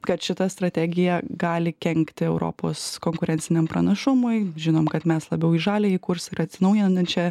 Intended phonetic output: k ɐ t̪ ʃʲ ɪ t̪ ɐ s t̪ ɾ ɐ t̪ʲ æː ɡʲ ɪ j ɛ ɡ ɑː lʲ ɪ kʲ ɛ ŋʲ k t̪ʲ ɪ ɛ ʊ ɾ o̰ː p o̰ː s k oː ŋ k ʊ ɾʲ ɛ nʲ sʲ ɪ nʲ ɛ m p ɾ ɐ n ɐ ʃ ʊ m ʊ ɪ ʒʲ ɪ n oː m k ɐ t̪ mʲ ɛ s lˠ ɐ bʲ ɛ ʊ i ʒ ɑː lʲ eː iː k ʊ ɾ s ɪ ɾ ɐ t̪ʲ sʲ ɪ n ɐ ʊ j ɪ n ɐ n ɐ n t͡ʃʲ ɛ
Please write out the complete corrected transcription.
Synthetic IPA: k ɐ t̪ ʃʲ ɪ t̪ ɐ s t̪ ɾ ɐ t̪ʲ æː ɡʲ ɪ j ɛ ɡ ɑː lʲ ɪ kʲ ɛ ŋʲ k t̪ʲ ɪ ɛ ʊ ɾ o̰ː p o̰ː s k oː ŋ k ʊ ɾʲ ɛ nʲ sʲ ɪ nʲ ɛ m p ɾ ɐ n ɐ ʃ ʊ m ʊ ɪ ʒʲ ɪ n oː m k ɐ t̪ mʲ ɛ s lˠ ɐ bʲ ɛ ʊ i ʒ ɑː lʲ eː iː k ʊ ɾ s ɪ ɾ ɐ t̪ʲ sʲ ɪ n ɐ ʊ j ɪ n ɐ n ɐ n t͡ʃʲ ɛ